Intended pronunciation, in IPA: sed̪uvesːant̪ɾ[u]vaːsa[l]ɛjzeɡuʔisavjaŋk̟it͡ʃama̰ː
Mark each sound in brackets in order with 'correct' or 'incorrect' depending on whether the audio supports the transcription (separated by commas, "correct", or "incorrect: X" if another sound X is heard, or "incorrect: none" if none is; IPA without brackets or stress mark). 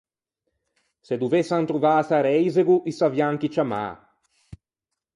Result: correct, incorrect: ɾ